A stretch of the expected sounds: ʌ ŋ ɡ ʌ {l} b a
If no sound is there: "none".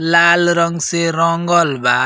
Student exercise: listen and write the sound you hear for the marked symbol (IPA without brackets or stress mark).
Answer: l